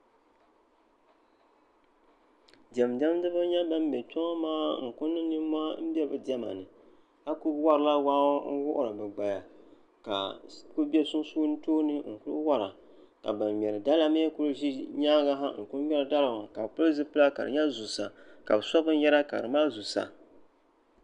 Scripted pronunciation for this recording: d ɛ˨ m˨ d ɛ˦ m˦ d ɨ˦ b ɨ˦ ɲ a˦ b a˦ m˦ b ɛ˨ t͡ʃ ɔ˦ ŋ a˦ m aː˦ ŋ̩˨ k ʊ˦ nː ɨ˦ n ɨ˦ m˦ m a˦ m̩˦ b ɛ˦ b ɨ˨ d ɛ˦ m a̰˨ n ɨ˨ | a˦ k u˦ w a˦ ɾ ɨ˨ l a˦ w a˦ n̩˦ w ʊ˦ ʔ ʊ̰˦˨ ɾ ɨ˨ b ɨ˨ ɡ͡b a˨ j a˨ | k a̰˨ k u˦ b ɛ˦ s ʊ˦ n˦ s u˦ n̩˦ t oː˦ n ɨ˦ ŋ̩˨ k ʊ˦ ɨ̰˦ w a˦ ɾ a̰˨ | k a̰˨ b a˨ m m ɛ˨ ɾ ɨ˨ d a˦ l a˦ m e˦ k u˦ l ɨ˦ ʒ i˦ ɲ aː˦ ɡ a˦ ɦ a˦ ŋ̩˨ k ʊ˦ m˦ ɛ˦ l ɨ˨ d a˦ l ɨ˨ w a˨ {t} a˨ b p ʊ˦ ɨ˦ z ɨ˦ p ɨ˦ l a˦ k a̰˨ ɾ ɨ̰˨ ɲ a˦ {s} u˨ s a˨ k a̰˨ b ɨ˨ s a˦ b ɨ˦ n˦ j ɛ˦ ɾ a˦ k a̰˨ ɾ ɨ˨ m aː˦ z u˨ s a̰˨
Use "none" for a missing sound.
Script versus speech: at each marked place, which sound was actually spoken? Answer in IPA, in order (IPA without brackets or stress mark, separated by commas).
k, z